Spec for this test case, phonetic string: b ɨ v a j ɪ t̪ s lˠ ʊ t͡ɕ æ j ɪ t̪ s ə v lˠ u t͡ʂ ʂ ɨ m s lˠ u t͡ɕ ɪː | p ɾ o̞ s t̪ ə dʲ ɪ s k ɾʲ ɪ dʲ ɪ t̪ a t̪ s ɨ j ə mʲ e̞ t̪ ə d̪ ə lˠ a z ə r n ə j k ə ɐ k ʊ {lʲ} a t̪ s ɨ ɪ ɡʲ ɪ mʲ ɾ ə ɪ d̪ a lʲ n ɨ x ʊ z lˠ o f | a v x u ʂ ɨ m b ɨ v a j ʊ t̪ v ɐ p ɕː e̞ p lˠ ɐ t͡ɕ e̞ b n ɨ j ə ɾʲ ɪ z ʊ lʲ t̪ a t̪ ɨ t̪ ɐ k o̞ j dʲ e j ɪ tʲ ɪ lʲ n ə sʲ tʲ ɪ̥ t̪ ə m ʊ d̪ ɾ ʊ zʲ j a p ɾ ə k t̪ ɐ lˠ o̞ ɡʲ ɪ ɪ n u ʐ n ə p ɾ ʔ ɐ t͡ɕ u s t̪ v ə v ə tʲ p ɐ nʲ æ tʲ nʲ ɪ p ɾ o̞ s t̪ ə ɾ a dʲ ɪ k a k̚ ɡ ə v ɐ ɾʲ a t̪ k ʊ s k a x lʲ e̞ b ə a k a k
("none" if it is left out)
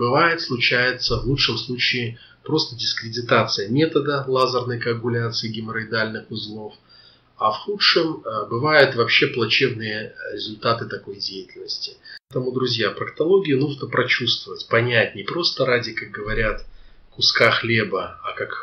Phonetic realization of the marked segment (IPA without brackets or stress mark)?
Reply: lʲ